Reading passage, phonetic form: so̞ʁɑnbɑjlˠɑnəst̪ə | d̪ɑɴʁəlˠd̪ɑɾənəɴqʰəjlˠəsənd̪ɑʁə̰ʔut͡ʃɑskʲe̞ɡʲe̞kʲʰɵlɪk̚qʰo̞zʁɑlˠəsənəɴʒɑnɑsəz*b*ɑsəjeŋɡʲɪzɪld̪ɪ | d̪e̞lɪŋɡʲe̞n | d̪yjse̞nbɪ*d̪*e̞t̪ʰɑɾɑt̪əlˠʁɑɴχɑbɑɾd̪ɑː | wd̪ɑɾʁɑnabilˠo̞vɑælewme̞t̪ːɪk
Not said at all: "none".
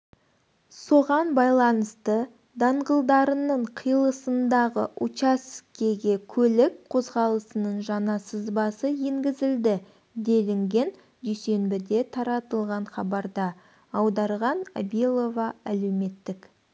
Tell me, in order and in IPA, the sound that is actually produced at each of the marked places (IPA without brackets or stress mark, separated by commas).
b, d̪